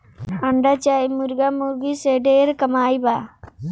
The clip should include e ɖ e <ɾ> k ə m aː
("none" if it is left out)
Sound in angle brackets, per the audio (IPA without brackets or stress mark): ɾ